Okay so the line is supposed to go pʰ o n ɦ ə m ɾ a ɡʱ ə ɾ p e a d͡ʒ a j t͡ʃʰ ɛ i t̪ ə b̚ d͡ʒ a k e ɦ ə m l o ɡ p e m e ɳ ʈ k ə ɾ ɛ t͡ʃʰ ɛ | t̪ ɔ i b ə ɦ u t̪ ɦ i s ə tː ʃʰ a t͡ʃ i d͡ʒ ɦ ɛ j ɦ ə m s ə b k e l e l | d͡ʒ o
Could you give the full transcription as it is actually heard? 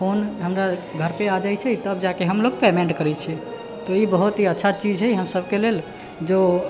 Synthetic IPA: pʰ o n ɦ ə m ɾ a ɡʱ ə ɾ p e a d͡ʒ a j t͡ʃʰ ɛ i t̪ ə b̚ d͡ʒ a k e ɦ ə m l o ɡ p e m e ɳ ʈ k ə ɾ ɛ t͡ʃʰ ɛ | t̪ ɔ i b ə ɦ u t̪ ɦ i ə tː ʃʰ a t͡ʃ i d͡ʒ ɦ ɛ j ɦ ə m s ə b k e l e l | d͡ʒ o